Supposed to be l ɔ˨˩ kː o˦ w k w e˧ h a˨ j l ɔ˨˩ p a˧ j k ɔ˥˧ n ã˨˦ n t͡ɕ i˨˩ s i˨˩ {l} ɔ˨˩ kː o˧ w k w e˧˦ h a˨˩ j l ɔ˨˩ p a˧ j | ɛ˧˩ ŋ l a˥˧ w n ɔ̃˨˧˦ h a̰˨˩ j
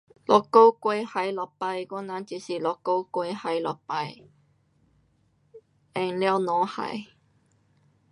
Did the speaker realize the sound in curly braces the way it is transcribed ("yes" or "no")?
yes